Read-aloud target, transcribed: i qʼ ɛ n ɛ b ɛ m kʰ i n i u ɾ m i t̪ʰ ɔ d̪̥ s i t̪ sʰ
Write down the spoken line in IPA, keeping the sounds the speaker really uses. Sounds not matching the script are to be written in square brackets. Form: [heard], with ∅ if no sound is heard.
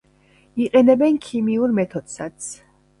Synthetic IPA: i qʼ ɛ n ɛ b ɛ [n] kʰ i [m] i u ɾ m [ɛ] t̪ʰ ɔ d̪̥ s [a] t̪ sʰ